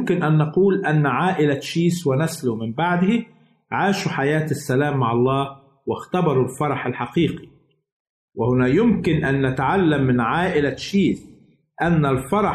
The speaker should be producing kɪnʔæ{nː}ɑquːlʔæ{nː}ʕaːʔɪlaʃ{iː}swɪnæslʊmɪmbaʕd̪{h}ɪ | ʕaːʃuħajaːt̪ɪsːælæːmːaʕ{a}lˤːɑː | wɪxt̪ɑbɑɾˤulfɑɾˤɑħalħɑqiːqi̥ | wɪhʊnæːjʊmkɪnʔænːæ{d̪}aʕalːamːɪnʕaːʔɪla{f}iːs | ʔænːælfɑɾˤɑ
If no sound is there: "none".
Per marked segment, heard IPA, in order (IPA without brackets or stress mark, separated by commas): nː, nː, iː, h, ɑ, t̪, ʃ